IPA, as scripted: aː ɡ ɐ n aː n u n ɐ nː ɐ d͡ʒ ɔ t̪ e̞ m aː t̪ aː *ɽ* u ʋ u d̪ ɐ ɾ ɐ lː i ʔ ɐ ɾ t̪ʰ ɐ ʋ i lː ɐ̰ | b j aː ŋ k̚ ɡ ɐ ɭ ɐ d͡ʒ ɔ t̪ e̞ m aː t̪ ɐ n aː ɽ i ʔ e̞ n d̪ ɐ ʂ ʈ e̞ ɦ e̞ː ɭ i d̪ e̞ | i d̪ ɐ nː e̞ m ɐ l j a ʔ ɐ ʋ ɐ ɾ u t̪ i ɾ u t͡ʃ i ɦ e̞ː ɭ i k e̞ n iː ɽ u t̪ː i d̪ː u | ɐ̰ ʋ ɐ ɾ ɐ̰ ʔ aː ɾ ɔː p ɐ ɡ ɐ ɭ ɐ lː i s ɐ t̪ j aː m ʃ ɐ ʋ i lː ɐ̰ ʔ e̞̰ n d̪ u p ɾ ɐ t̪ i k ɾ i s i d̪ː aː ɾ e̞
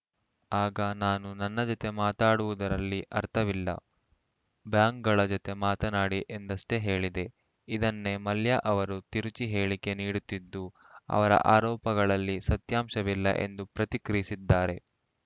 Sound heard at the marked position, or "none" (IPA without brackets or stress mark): ɽ